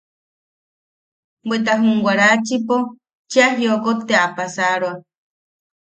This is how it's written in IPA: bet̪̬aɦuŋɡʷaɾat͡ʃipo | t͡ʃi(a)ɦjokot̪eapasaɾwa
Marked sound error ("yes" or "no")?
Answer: no